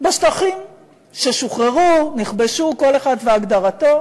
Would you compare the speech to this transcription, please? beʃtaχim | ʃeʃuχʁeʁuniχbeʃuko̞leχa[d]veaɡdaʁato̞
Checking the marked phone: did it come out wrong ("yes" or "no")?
no